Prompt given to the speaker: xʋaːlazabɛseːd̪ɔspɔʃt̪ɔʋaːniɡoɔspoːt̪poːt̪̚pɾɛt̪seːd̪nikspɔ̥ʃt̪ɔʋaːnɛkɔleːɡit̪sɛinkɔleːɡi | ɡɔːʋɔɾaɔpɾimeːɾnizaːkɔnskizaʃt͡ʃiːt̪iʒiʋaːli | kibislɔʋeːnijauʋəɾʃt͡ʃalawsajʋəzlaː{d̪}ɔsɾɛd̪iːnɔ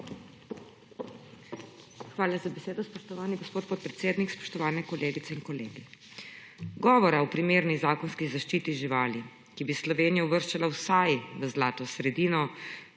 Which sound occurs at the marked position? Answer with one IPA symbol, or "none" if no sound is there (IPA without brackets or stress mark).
t̪